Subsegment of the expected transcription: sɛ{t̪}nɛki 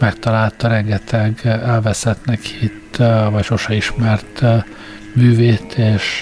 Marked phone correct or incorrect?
correct